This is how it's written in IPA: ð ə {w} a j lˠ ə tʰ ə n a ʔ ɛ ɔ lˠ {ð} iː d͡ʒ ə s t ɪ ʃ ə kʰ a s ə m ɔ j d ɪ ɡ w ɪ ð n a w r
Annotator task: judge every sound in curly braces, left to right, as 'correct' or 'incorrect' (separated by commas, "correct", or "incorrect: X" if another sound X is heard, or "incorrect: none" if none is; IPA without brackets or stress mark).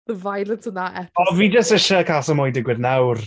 incorrect: v, incorrect: v